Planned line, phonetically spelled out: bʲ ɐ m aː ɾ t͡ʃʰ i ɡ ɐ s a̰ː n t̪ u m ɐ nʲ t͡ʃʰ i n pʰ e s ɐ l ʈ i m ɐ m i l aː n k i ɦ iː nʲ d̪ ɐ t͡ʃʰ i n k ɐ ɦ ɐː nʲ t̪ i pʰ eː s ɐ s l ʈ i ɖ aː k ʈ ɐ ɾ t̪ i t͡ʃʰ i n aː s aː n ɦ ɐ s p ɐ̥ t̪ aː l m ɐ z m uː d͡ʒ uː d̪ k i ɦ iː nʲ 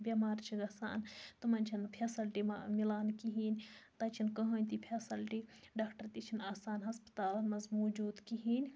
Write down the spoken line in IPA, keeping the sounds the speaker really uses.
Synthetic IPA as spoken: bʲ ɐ m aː ɾ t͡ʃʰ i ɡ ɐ s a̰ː n t̪ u m ɐ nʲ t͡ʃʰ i n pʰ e s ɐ l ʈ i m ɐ m i l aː n k i ɦ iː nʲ t̪ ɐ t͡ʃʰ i n k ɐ ɦ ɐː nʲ t̪ i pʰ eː s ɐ l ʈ i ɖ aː k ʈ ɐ ɾ t̪ i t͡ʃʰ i n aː s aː n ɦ ɐ s p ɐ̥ t̪ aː l m ɐ z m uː d͡ʒ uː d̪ k i ɦ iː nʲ